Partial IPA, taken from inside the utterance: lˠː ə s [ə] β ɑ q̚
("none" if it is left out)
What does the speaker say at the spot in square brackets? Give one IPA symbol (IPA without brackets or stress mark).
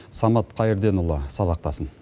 ɑ